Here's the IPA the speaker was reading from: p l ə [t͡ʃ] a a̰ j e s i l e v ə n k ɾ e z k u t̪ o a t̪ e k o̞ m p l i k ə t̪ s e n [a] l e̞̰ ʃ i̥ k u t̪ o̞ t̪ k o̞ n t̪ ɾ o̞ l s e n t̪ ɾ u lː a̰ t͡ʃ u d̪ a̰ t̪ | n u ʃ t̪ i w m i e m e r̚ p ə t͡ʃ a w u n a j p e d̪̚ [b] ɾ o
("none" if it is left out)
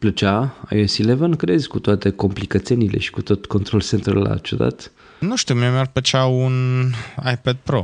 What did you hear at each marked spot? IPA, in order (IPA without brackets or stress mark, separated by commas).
t͡ʃ, i, p